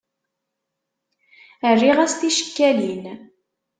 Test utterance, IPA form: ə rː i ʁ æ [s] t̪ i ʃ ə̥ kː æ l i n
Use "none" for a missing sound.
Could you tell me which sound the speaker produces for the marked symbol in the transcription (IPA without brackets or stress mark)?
s